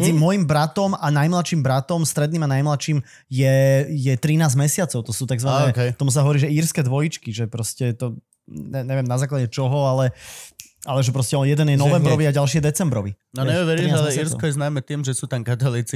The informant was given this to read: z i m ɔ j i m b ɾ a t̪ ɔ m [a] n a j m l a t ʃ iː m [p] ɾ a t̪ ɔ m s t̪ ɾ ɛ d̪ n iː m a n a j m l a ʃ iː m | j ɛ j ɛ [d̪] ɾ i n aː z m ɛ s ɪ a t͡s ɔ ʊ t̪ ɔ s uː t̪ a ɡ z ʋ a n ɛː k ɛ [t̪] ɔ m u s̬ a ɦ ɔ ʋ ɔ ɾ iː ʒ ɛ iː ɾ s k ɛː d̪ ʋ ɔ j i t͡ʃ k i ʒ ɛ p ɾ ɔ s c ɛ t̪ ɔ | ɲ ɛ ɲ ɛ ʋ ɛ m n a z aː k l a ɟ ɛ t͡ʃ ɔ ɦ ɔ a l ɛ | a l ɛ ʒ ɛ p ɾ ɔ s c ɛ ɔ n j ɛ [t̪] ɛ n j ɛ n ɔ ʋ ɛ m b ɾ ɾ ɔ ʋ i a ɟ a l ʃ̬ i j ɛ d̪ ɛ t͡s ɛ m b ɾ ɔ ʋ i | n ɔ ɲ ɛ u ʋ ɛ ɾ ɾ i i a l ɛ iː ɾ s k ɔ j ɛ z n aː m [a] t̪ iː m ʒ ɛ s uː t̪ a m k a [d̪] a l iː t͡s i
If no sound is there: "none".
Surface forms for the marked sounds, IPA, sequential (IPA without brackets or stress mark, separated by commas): a, b, t̪, t̪, d̪, ɛ, t̪